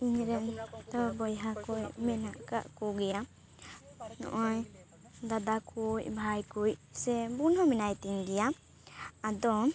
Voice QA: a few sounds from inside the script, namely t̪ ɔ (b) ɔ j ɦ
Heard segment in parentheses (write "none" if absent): b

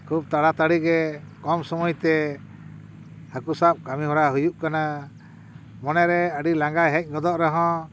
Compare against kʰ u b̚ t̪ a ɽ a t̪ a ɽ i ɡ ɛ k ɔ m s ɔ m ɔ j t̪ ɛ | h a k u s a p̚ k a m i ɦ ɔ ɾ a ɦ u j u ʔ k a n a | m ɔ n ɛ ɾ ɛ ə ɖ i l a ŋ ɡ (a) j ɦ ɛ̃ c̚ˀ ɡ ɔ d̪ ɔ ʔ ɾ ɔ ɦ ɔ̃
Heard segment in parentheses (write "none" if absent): a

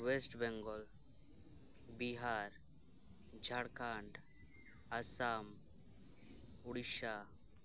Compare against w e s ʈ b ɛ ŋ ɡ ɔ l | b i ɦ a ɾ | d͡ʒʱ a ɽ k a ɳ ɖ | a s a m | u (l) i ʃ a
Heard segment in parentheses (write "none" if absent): ɽ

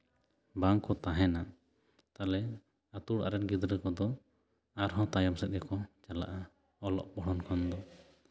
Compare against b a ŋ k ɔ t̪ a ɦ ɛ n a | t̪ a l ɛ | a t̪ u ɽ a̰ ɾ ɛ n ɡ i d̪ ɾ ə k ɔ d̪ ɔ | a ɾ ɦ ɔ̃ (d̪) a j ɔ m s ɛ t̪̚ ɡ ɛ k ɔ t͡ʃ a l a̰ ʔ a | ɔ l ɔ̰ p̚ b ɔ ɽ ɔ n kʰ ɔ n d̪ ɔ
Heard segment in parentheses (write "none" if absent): t̪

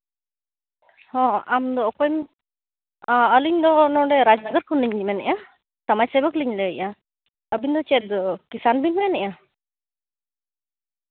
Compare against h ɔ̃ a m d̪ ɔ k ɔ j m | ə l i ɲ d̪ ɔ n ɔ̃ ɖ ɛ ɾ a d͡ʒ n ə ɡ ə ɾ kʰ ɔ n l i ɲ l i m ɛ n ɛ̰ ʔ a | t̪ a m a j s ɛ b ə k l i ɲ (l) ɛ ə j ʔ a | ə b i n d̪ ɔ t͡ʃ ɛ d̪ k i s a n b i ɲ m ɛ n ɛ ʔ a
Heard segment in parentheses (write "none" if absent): l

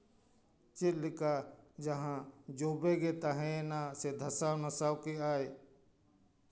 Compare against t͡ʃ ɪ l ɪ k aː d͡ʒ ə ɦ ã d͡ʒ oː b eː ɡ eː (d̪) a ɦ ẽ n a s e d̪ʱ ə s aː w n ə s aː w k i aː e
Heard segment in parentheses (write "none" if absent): t̪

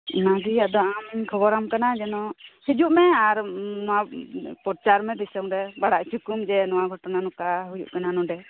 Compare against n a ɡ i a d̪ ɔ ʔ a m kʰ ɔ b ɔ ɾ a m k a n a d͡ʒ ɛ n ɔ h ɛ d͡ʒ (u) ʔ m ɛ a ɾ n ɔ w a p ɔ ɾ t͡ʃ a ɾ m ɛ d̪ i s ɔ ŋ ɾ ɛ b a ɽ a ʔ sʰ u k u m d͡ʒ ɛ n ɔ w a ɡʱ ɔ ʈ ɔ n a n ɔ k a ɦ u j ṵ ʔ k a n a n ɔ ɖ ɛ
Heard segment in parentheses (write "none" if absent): u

